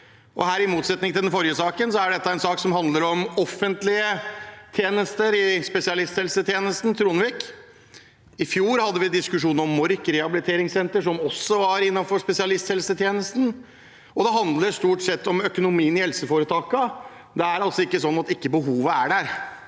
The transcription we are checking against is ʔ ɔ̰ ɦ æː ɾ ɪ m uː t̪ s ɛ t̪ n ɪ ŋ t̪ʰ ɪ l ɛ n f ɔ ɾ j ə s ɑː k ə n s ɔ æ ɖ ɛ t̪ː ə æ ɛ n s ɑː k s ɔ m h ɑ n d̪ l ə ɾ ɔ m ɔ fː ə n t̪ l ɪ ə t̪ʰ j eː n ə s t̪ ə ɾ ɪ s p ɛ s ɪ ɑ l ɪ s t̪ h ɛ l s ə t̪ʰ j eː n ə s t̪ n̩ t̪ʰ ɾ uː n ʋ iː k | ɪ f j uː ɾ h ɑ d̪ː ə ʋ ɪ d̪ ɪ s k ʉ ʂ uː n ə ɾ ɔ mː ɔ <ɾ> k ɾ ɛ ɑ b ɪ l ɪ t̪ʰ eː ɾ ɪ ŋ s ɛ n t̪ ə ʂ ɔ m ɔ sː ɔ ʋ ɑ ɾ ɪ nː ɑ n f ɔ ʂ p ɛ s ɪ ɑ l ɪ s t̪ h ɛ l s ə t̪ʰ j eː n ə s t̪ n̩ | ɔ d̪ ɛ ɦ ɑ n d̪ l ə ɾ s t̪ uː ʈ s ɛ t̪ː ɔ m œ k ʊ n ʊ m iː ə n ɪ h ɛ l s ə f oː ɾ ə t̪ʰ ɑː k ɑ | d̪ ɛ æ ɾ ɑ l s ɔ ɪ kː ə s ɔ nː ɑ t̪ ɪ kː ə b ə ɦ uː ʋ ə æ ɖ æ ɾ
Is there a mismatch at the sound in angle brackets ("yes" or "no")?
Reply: no